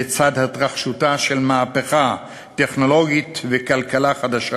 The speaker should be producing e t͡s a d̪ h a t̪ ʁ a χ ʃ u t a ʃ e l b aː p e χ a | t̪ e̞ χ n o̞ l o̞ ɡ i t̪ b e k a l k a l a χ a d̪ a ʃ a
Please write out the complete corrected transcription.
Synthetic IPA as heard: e t͡s a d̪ h a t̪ ʁ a χ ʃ u t a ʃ e l m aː p e χ a | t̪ e̞ χ n o̞ l o̞ ɡ i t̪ v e k a l k a l a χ a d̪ a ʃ a